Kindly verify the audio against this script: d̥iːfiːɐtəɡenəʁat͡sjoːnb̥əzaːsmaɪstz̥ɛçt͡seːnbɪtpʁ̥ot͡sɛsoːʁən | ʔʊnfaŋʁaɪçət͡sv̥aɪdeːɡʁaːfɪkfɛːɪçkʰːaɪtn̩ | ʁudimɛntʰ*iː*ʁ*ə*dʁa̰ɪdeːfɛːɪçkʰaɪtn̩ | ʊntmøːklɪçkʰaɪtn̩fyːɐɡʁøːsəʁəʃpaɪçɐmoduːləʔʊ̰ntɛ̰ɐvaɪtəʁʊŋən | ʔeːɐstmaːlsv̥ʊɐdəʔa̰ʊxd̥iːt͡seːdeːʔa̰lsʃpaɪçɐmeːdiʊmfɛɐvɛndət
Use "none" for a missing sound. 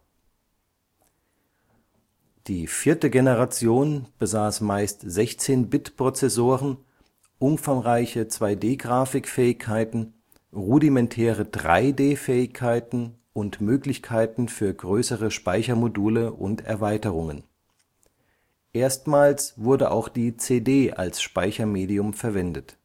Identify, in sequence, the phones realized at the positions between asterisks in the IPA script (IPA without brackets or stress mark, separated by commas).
ɛː, ə